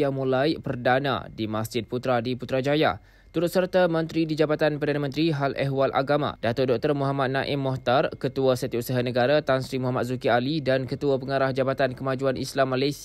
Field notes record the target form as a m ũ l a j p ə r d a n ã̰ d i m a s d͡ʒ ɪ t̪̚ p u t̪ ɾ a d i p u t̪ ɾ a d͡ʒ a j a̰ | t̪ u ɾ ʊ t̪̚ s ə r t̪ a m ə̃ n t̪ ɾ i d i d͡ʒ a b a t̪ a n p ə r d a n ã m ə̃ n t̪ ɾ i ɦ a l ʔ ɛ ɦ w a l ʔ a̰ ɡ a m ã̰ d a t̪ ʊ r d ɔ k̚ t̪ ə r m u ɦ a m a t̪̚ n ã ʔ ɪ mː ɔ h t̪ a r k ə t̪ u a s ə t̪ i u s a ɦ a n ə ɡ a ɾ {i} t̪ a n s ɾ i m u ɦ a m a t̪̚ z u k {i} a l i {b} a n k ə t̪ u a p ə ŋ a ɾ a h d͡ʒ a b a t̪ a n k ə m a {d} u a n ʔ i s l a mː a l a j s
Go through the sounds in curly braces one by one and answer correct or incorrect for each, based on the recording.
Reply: incorrect: a, correct, incorrect: d, incorrect: d͡ʒ

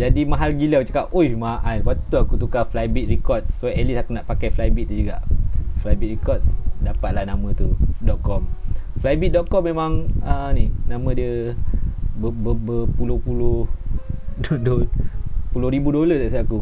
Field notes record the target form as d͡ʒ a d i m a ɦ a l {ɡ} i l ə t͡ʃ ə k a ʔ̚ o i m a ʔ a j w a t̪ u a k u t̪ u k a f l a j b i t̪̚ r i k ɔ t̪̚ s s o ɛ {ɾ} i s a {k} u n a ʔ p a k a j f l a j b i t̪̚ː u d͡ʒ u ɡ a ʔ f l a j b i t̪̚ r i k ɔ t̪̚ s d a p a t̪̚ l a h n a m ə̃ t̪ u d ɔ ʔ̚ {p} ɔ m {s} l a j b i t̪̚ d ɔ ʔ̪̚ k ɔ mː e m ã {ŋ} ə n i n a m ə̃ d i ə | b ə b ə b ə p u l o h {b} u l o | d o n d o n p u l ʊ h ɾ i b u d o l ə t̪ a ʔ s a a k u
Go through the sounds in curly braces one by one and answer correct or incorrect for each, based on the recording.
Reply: correct, incorrect: l, correct, incorrect: k, incorrect: f, correct, incorrect: p

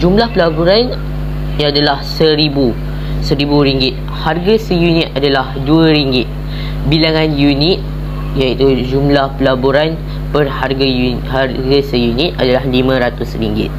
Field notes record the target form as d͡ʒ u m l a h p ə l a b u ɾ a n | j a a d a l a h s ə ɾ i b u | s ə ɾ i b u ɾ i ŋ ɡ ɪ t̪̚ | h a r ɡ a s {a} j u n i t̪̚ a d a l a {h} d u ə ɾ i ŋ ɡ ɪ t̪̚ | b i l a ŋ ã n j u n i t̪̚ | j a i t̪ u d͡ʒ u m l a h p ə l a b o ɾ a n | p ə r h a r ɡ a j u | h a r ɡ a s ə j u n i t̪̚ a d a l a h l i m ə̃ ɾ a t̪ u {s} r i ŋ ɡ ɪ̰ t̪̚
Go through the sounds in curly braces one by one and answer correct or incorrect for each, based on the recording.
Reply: incorrect: ə, correct, correct

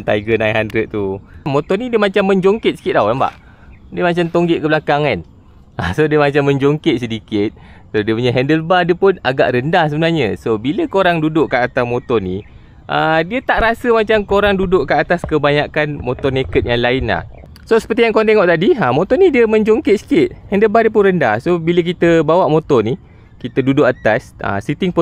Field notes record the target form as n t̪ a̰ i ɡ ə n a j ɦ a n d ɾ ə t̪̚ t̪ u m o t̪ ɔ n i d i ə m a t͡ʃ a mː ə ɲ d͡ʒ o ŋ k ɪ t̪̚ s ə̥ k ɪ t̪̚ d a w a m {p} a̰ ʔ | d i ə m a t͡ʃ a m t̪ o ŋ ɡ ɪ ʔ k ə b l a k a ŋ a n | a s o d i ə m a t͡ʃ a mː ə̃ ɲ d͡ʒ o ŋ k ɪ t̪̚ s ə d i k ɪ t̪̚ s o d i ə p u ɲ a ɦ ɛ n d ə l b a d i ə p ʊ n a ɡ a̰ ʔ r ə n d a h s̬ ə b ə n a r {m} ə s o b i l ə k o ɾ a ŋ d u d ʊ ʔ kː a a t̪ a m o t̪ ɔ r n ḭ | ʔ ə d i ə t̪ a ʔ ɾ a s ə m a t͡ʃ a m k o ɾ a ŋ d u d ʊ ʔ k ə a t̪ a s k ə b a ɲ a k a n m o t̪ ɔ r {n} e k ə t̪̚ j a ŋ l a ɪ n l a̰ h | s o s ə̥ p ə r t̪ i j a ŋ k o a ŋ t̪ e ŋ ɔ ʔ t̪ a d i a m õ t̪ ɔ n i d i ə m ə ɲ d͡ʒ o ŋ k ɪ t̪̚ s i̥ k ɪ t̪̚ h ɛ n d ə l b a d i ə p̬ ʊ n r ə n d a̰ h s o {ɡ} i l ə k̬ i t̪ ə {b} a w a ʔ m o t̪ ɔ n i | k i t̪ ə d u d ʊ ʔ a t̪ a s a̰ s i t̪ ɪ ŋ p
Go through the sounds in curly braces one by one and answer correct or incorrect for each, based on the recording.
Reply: incorrect: b, incorrect: ɲ, correct, incorrect: b, correct

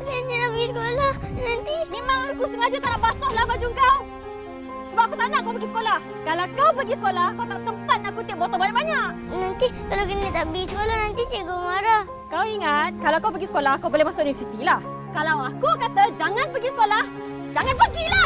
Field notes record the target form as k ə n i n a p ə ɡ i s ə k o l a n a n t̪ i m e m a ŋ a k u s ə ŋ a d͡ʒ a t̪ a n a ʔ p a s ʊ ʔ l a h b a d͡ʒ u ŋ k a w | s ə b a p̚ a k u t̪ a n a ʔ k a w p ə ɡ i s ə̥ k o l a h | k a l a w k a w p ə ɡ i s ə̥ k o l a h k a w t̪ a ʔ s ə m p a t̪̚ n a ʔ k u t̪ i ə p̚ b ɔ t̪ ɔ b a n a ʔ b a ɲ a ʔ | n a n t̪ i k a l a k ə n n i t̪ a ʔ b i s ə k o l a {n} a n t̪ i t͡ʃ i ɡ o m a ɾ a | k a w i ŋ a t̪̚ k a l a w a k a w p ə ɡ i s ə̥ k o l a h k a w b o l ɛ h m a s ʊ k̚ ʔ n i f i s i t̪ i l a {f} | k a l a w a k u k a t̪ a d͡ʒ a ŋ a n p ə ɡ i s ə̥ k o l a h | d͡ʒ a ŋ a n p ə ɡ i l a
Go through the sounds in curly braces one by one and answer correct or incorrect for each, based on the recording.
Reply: correct, incorrect: h

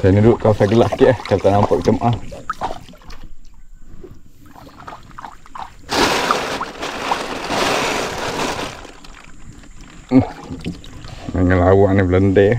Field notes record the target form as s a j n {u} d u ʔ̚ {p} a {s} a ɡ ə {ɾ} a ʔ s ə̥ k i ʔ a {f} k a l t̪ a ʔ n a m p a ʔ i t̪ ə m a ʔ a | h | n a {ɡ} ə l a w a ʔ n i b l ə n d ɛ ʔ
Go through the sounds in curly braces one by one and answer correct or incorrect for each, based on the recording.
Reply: correct, incorrect: k, correct, incorrect: l, incorrect: h, incorrect: ŋ

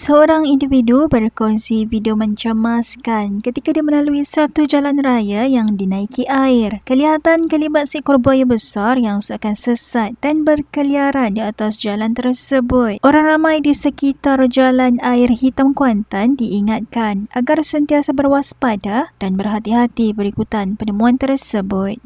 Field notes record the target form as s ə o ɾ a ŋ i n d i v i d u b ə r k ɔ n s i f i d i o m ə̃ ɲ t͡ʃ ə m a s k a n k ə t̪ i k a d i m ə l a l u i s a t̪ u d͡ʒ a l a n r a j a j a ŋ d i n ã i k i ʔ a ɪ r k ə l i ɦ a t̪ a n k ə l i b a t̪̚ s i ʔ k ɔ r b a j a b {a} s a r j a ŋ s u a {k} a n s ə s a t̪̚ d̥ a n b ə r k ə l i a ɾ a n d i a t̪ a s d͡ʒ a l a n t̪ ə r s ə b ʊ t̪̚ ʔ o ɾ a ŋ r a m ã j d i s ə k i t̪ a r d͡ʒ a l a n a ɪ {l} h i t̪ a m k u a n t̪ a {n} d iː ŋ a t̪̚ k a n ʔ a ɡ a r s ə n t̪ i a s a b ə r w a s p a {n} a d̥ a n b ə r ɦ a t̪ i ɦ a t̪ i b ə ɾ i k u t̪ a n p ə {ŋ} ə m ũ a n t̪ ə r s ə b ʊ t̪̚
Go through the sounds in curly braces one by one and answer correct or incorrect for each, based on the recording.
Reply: incorrect: ə, correct, incorrect: r, correct, incorrect: d, incorrect: n

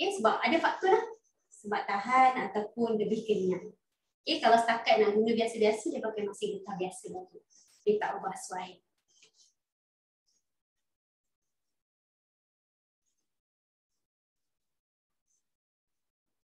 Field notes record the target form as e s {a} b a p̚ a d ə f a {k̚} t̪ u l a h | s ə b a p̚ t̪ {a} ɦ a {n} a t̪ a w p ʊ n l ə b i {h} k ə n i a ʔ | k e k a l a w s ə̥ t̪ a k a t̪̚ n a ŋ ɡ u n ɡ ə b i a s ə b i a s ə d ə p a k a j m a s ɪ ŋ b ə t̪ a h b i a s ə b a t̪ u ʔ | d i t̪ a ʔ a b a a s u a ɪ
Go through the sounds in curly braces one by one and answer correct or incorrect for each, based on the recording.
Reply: incorrect: ə, correct, correct, correct, correct

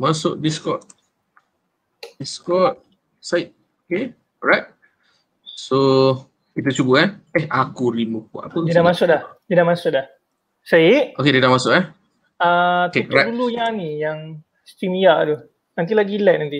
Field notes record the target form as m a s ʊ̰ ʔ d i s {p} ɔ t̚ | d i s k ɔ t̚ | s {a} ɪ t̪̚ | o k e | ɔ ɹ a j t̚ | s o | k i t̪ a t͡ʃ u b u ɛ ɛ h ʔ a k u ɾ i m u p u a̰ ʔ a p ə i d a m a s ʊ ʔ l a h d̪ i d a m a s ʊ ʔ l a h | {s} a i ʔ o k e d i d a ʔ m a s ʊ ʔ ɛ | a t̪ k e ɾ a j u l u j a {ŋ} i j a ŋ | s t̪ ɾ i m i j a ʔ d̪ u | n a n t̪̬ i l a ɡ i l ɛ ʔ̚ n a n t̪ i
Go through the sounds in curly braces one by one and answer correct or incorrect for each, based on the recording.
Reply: incorrect: k, correct, correct, incorrect: n

